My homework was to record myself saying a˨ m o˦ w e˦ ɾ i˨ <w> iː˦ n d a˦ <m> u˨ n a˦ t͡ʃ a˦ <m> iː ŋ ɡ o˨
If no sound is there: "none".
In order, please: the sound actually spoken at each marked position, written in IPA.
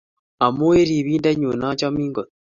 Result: β, ɲ, m

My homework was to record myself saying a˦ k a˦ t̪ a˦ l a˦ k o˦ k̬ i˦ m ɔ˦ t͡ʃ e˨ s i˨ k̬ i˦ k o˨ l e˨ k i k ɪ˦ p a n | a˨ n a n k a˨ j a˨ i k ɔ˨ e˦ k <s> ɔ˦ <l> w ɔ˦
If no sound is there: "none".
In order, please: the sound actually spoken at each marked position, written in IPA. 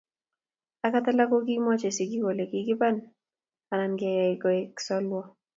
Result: s, l

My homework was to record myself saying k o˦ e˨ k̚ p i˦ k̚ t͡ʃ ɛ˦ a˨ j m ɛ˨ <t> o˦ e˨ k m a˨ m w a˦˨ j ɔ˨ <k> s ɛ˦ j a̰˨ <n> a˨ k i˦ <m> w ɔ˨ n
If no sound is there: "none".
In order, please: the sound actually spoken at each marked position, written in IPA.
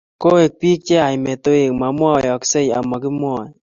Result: t, k, m, m

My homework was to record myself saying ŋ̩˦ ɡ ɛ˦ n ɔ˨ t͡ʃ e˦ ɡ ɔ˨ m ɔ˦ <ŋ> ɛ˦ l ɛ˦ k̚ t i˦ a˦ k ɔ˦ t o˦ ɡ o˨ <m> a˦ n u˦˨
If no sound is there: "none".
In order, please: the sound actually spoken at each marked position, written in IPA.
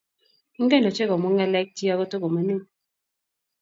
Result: ŋ, m

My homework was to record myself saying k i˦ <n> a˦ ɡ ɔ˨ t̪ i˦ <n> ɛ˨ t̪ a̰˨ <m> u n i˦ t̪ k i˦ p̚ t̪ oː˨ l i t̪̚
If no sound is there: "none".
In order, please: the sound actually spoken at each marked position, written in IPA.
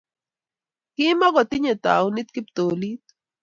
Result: m, ɲ, none

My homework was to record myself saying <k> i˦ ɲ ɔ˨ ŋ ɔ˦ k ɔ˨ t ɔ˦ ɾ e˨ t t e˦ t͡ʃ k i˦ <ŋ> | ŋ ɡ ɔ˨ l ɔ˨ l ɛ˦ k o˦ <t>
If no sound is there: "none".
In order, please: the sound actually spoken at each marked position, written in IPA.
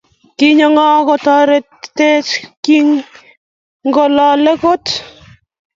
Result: k, ŋ, t

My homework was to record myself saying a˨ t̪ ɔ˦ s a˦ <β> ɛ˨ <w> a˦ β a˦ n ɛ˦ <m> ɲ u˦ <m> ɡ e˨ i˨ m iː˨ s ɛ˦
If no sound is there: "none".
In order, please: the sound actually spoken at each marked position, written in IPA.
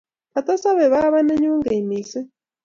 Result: β, β, none, ŋ

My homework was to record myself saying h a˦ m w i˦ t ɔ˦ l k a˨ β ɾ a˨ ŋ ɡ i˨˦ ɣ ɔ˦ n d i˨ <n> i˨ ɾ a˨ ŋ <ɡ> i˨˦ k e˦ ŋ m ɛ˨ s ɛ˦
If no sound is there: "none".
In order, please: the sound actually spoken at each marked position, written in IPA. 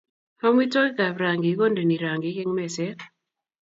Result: n, ɡ

